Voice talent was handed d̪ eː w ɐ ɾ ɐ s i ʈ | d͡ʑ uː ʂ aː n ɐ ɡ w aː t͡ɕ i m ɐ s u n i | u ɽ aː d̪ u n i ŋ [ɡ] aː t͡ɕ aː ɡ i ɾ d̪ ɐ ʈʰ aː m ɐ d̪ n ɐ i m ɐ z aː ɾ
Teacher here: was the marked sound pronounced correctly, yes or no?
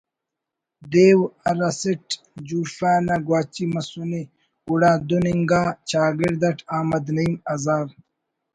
yes